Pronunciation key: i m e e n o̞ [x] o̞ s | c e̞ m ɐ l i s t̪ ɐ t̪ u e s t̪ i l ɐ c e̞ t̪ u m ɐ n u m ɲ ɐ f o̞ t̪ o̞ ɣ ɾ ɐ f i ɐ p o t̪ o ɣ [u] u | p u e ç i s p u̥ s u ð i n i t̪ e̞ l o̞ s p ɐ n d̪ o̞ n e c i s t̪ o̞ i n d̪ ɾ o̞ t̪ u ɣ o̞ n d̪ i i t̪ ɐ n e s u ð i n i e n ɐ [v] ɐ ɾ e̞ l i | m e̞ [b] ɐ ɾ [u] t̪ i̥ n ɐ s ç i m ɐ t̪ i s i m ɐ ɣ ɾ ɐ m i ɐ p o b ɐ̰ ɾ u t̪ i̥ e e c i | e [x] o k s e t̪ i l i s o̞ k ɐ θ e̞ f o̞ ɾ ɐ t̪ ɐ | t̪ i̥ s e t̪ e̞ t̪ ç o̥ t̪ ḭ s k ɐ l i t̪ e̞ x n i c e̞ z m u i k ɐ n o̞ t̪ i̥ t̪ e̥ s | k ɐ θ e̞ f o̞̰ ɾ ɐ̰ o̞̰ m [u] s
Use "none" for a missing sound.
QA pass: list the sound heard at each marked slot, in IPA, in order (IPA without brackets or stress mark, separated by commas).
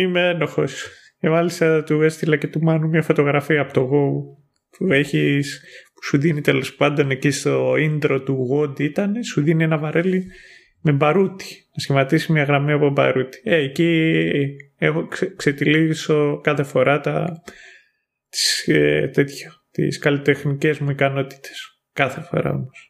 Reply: x, o, v, b, u, x, o